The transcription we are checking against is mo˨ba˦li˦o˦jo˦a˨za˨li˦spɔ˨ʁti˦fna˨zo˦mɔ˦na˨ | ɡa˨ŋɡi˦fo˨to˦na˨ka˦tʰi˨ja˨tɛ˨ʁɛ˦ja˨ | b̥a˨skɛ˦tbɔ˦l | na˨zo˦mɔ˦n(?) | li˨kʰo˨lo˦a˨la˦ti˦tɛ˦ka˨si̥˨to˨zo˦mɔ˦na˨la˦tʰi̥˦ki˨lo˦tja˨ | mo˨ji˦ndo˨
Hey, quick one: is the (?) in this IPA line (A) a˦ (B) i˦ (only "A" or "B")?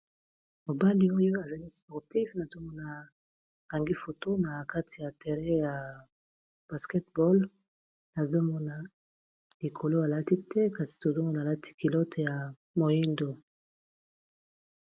A